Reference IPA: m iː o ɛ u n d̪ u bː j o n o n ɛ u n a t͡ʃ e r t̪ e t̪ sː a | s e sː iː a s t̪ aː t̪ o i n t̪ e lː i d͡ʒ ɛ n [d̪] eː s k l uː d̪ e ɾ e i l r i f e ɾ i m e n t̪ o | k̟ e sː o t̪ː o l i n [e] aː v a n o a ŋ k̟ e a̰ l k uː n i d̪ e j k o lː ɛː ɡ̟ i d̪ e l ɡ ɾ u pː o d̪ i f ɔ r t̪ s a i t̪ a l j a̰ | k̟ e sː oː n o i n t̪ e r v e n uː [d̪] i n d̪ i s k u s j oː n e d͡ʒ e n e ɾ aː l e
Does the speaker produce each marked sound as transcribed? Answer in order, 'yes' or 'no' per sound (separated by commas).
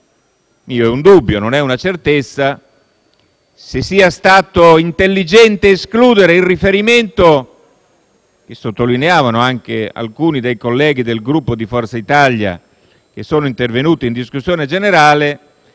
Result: no, yes, no